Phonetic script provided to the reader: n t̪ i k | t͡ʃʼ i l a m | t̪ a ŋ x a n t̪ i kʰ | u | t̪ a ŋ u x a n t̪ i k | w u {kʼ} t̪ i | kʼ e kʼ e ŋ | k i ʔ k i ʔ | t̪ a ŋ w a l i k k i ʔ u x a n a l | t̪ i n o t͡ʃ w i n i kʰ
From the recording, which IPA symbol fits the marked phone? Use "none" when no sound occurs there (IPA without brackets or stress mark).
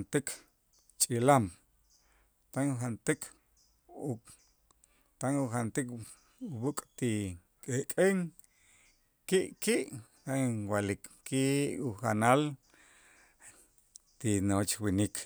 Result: kʼ